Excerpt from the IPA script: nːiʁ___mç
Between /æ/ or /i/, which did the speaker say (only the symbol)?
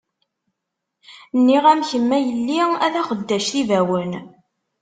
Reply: æ